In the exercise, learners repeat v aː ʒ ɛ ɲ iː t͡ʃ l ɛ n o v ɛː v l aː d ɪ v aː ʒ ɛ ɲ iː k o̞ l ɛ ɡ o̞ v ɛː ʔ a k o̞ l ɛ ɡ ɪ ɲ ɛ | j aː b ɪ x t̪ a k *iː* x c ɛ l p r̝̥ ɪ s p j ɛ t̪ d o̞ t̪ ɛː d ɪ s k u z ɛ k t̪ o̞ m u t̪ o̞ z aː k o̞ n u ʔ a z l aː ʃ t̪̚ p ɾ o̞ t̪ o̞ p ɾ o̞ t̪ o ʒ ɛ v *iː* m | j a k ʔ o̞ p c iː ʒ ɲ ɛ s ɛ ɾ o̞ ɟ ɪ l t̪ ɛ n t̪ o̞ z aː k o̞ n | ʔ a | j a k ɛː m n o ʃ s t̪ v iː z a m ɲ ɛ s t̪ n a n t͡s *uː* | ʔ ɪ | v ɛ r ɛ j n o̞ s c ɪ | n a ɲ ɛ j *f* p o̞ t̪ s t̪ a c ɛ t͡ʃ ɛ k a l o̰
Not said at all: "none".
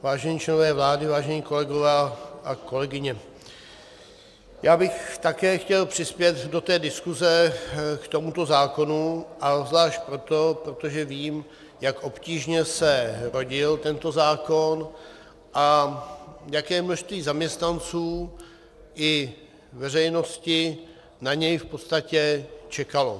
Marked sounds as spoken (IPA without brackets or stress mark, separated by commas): ɛː, iː, uː, f